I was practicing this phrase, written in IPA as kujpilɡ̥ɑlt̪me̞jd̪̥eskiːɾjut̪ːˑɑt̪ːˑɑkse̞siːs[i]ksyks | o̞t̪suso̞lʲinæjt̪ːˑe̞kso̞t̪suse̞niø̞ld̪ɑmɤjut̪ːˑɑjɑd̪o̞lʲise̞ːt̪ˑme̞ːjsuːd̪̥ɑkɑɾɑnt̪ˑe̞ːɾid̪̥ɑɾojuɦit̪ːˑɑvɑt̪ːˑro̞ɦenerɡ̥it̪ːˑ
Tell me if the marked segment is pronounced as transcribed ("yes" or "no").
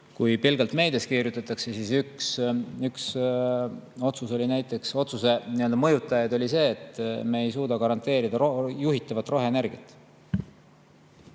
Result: no